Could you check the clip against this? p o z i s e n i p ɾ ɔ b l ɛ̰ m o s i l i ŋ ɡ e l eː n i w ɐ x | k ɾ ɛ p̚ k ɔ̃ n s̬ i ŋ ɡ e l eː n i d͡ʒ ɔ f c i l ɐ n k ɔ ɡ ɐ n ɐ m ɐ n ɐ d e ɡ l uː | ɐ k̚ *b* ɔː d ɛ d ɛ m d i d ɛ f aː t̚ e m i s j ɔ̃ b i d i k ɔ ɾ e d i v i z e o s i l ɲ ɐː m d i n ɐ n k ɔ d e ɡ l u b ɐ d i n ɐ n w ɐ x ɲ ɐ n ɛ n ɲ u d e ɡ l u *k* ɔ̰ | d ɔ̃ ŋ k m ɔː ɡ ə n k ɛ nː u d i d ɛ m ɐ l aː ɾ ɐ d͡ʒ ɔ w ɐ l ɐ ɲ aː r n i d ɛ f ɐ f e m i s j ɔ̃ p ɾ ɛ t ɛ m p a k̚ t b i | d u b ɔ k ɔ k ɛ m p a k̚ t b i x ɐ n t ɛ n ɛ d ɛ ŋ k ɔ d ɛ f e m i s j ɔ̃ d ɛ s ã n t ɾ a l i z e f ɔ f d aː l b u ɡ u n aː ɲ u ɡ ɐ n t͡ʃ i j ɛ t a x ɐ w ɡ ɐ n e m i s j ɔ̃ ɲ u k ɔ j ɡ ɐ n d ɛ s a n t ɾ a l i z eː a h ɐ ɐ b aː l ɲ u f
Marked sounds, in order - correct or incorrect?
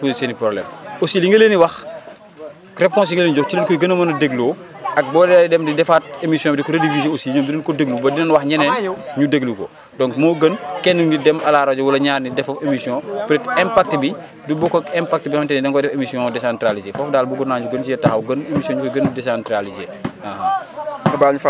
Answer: correct, correct

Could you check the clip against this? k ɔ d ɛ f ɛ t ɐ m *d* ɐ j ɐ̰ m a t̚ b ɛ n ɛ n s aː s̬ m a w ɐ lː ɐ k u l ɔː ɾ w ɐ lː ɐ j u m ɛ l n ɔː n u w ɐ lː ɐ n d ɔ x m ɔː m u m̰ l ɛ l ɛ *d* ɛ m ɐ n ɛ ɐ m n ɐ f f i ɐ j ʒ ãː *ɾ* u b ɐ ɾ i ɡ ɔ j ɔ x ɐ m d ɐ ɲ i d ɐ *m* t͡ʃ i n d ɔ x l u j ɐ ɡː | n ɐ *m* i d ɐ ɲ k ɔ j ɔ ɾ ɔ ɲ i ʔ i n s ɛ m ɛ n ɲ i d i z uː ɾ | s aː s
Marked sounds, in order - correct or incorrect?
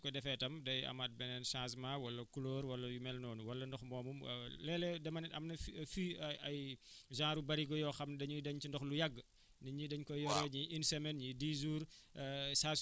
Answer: correct, correct, correct, incorrect, incorrect

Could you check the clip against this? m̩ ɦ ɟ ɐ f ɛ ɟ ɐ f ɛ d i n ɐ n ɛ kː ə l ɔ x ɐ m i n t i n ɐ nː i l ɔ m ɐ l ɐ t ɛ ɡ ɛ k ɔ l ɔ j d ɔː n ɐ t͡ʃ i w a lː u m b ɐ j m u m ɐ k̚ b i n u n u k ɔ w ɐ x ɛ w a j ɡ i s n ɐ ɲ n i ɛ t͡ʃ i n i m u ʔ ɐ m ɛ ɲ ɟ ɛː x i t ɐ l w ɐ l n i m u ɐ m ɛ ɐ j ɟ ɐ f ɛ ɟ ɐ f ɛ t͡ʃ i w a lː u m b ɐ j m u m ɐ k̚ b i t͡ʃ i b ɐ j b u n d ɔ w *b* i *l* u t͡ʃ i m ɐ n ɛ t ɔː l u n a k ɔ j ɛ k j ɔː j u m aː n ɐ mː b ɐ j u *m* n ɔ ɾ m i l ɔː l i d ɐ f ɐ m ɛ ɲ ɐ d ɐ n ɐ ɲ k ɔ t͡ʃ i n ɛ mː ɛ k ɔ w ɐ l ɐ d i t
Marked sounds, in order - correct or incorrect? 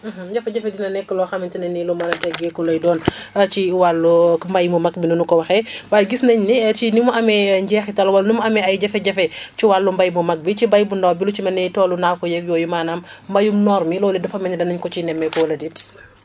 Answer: correct, correct, correct

